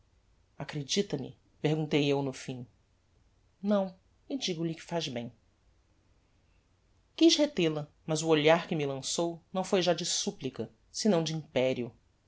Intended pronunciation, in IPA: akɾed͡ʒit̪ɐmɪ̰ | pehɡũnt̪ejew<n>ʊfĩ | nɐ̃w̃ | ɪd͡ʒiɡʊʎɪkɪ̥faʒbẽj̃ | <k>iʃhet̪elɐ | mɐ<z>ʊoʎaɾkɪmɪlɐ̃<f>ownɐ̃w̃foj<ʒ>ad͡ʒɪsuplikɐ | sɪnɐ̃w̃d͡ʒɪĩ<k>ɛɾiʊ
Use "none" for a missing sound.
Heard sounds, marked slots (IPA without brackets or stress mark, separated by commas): n, k, z, s, ʒ, p